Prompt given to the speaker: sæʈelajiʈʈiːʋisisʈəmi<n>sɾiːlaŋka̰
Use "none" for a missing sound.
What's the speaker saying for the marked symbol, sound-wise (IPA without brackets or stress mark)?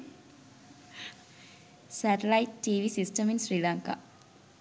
n